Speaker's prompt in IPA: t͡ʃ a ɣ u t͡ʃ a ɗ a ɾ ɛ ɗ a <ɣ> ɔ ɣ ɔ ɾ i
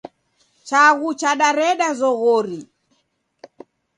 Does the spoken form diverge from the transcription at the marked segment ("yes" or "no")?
yes